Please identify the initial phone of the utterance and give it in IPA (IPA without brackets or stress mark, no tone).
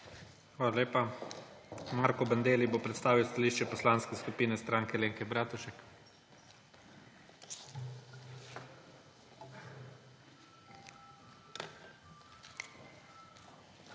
x